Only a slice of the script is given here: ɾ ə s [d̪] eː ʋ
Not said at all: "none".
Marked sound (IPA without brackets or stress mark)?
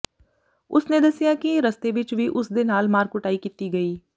t̪